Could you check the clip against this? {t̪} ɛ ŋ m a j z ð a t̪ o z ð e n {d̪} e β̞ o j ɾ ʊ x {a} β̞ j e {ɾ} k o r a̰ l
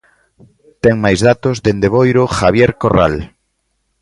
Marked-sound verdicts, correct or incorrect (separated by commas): correct, correct, correct, correct